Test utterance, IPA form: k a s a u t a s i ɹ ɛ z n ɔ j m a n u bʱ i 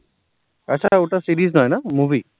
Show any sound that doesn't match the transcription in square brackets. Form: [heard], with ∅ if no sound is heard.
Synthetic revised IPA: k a s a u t a s i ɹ [i] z n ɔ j [n] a [m] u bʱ i

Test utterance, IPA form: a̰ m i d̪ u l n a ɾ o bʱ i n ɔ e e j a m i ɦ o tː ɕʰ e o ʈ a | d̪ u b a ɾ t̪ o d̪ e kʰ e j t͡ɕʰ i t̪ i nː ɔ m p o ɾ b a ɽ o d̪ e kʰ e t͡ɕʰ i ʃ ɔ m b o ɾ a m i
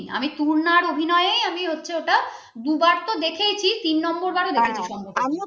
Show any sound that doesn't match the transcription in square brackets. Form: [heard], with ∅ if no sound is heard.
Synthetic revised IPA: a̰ m i [t̪] u [ɾ] n a ɾ o bʱ i n ɔ e e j a m i ɦ o tː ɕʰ e o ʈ a | d̪ u b a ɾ t̪ o d̪ e kʰ e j t͡ɕʰ i t̪ i nː ɔ m [b] o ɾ b a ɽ o d̪ e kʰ e t͡ɕʰ i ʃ ɔ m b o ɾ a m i

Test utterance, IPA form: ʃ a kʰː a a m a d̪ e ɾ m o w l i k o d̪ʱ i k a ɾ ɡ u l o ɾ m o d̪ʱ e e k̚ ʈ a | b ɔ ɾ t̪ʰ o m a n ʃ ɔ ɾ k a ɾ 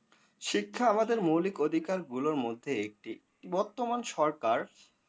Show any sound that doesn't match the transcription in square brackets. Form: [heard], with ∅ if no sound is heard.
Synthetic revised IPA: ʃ [i] kʰː a a m a d̪ e ɾ m o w l i k o d̪ʱ i k a ɾ ɡ u l o ɾ m o [d̪ʱː] e e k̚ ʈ [i] | b ɔ ɾ [t̪] o m a n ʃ ɔ ɾ k a ɾ

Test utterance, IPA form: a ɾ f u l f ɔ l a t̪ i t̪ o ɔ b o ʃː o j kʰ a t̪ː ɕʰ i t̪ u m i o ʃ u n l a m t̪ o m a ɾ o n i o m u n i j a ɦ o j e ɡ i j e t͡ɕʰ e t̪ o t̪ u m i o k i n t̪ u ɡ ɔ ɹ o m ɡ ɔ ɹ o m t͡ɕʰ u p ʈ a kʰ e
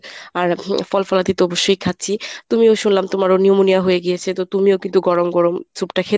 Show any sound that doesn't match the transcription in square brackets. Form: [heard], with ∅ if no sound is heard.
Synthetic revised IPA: a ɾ f [ɔ] l f ɔ l a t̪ i t̪ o ɔ b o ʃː o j kʰ a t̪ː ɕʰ i t̪ u m i o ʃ u n l a m t̪ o m a ɾ o n i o m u n i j a ɦ o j e ɡ i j e t͡ɕʰ e t̪ o t̪ u m i o k i n t̪ u ɡ ɔ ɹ o m ɡ ɔ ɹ o m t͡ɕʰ u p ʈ a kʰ e

